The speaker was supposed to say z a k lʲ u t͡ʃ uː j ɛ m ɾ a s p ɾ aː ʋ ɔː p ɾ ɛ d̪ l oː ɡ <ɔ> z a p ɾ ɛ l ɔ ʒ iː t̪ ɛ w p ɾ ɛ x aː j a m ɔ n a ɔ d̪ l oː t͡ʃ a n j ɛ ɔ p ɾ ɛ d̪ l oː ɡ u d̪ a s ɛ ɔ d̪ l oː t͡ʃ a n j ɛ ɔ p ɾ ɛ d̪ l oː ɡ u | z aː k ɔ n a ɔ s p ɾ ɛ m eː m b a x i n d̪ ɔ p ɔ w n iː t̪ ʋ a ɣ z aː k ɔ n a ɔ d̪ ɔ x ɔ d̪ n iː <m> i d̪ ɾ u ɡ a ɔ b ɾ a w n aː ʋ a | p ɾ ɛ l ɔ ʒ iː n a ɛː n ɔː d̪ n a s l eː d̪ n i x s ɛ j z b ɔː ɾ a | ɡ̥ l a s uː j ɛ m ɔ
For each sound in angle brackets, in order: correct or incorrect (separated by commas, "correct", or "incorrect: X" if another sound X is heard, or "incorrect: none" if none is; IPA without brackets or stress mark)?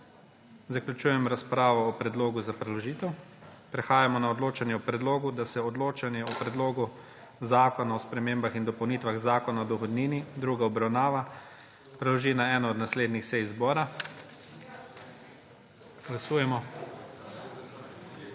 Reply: incorrect: u, incorrect: n